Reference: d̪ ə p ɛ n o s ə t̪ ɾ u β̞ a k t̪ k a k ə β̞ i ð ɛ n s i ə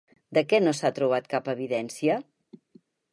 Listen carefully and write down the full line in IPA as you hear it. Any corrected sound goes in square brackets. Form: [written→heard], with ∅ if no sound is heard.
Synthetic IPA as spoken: d̪ ə [p→k] ɛ n o s [ə→a] t̪ ɾ u β̞ a [k→∅] t̪ k a [k→p] ə β̞ i ð ɛ n s i ə